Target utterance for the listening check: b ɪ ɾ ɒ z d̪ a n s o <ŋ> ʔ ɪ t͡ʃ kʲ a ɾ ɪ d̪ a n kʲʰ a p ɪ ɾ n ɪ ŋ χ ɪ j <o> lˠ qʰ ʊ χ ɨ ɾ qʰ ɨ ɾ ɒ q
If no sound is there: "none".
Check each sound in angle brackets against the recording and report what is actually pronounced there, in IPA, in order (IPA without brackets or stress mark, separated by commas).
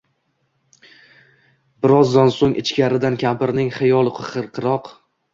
ŋ, ɒ